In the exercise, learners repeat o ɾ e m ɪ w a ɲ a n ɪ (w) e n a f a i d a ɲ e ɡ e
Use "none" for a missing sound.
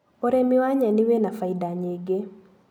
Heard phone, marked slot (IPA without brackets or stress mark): w